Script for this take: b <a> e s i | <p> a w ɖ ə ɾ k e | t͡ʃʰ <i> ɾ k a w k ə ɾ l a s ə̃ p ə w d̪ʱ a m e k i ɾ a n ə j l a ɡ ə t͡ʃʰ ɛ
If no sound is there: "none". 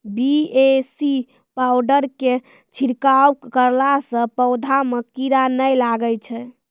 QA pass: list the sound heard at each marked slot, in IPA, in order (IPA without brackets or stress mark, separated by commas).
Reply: i, p, i